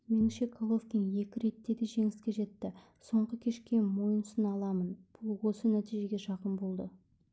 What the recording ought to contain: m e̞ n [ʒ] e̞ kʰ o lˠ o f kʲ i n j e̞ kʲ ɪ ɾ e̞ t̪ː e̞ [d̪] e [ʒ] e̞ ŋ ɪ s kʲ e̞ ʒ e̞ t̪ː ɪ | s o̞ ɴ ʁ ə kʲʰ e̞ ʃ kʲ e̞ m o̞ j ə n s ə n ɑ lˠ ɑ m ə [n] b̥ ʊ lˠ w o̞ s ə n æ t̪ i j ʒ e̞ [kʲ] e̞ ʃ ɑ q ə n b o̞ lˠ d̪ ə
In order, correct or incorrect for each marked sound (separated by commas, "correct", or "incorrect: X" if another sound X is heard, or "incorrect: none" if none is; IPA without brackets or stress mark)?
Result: incorrect: ʃ, correct, correct, correct, incorrect: ɡʲ